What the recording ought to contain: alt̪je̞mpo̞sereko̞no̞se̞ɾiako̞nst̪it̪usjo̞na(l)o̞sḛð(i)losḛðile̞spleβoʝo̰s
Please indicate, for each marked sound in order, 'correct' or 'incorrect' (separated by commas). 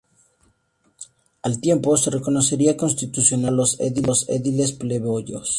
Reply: correct, correct